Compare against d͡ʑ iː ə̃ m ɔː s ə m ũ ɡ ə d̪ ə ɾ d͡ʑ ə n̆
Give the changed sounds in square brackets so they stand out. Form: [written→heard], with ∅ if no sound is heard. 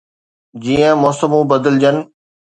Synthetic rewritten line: d͡ʑ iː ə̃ m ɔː s ə m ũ [ɡ→b] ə d̪ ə [ɾ→l] d͡ʑ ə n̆